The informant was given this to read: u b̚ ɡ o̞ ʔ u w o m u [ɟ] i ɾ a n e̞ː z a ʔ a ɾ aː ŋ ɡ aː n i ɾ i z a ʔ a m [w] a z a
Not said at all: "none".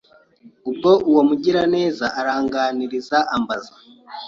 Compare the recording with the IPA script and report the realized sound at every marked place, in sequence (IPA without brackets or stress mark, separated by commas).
ɟ, b